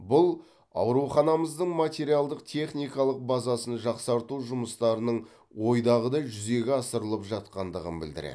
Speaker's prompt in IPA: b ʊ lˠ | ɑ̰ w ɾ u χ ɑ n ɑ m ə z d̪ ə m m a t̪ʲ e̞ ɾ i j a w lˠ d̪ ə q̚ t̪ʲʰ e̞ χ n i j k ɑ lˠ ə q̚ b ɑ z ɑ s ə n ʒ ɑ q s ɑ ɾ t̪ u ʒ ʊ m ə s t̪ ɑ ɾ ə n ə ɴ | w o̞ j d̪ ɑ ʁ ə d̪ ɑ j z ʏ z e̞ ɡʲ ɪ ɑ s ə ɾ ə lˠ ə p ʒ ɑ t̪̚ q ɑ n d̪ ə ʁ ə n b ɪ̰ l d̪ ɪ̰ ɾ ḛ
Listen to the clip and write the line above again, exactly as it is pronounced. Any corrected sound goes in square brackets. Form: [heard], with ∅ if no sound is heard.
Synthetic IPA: b ʊ lˠ | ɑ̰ w ɾ u χ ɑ n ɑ m ə z d̪ ə [ɴ] m a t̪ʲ e̞ ɾ i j a [∅] lˠ d̪ ə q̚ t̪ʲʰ e̞ χ n i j k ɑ lˠ ə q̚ b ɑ z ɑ s ə n ʒ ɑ q s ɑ ɾ t̪ u ʒ ʊ m ə s t̪ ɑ ɾ ə n ə ɴ | w o̞ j d̪ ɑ ʁ ə d̪ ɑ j [ʒ] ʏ z e̞ ɡʲ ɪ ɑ s ə ɾ ə lˠ ə p ʒ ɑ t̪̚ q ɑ n d̪ ə ʁ ə n b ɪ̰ l d̪ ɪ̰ ɾ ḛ